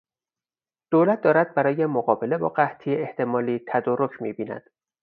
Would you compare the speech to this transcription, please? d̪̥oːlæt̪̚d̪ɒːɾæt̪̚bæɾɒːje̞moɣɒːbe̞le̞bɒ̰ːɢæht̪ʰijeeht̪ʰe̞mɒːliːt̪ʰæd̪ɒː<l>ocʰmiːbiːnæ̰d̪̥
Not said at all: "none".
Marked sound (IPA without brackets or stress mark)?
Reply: ɾ